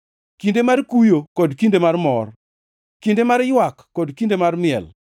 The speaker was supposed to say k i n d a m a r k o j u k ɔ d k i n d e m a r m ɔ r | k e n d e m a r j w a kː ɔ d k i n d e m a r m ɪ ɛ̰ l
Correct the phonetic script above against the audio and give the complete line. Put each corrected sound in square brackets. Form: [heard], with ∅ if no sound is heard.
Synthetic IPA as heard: k i n d [e] m a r k [u] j [o] k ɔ d k i n d e m a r m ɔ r | k [i] n d e m a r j w a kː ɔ d k i n d e m a r m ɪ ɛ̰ l